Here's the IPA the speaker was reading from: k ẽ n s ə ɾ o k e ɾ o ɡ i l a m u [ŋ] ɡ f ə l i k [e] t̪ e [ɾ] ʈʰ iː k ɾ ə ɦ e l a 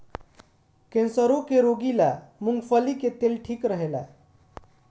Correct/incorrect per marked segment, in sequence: correct, correct, incorrect: l

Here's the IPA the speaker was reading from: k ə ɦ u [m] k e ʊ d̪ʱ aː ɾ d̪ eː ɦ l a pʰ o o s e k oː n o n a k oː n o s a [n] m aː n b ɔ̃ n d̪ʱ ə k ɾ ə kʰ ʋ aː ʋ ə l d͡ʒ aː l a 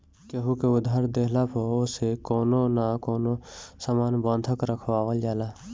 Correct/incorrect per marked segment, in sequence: incorrect: none, incorrect: none

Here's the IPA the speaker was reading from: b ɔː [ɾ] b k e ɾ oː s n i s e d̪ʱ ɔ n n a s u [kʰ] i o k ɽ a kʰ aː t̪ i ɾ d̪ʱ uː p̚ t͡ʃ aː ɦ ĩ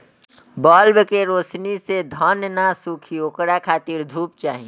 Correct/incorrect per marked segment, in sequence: incorrect: l, correct

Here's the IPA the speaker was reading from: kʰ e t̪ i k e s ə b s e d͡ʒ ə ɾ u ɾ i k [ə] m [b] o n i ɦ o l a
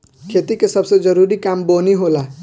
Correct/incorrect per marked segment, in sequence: incorrect: a, correct

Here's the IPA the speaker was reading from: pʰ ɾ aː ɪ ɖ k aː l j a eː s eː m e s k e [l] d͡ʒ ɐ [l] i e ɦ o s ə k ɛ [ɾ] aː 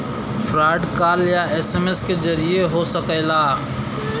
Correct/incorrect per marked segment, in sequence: incorrect: none, incorrect: ɾ, incorrect: l

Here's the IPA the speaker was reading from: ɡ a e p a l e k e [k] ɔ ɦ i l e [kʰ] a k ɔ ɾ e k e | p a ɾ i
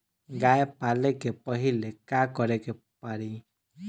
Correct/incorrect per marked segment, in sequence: incorrect: p, incorrect: k

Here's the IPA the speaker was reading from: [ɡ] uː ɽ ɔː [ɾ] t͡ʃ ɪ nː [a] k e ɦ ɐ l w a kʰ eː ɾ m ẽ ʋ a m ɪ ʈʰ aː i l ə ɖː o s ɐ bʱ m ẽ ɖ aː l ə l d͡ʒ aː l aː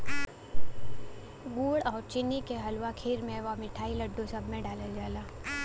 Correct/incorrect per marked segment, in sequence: correct, correct, incorrect: i

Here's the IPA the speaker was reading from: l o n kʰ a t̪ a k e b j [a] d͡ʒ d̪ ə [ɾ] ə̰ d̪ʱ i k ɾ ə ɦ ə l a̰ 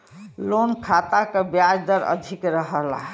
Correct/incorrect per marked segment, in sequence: correct, correct

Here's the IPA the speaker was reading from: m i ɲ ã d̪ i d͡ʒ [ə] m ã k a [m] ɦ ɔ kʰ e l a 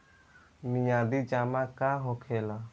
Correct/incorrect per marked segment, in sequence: incorrect: a, incorrect: none

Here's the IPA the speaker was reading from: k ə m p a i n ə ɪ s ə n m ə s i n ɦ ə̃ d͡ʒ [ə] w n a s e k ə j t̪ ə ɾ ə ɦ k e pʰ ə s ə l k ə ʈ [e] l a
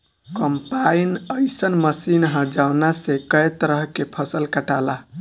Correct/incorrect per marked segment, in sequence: incorrect: a, incorrect: a

